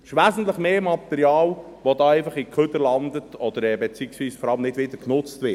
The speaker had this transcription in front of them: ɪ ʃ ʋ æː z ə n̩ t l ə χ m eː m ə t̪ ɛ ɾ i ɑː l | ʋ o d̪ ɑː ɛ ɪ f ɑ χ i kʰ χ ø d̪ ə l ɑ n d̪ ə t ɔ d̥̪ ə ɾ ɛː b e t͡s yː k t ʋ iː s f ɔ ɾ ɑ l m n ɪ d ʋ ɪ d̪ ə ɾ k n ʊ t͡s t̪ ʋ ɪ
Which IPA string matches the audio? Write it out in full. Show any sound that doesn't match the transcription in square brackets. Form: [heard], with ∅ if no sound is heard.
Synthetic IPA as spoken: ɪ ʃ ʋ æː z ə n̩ t l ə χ m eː m [ɑ] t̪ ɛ ɾ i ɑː l | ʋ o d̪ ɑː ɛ ɪ f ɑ χ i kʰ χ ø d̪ ə l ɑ n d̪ ə t ɔ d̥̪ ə ɾ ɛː b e t͡s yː k [s] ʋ iː s f ɔ ɾ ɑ l m n ɪ d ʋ ɪ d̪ ə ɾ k n ʊ t͡s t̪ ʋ ɪ